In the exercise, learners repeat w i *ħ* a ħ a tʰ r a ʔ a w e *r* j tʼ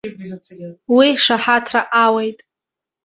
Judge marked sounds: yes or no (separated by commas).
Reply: no, no